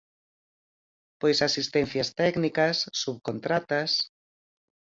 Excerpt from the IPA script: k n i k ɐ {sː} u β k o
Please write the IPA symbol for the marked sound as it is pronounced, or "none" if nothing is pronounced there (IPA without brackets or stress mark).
sː